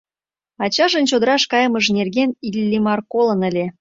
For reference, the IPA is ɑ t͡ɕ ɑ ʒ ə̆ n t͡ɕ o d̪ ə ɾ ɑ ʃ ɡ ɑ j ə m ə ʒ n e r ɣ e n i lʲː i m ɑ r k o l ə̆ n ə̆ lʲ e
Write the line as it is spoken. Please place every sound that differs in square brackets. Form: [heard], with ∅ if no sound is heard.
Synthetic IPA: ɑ t͡ɕ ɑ ʒ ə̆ n t͡ɕ o d̪ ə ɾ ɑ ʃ [k] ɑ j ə m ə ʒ n e r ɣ e n i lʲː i m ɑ r k o l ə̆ n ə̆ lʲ e